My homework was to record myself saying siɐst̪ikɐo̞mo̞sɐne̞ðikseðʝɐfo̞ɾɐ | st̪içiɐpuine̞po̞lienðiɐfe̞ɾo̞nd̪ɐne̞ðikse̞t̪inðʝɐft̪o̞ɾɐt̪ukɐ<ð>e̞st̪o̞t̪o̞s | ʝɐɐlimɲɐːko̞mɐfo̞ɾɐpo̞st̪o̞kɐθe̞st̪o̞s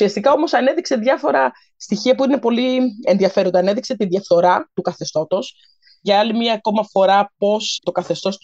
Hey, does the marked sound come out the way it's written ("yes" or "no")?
no